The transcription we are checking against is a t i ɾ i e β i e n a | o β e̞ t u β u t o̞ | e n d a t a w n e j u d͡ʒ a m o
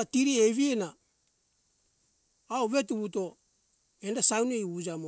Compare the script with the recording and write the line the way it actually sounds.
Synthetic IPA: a t i ɾ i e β i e n a | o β e̞ t u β u t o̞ | e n d a s a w n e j u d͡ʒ a m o